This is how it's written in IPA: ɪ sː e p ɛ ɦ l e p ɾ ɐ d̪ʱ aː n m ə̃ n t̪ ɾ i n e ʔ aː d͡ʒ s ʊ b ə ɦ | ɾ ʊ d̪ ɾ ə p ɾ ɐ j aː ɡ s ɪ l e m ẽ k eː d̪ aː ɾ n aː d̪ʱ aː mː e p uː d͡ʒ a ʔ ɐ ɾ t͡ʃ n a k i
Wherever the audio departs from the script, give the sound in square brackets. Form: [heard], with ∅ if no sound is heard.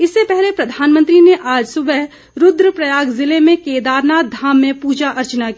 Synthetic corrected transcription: ɪ sː e p ɛ ɦ l e p ɾ ɐ d̪ʱ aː n m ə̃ n t̪ ɾ i n e ʔ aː d͡ʒ s ʊ b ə ɦ | ɾ ʊ d̪ ɾ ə p ɾ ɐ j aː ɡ [z] ɪ l e m ẽ k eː d̪ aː ɾ n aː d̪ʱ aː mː [ẽ] p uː d͡ʒ a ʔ ɐ ɾ t͡ʃ n a k i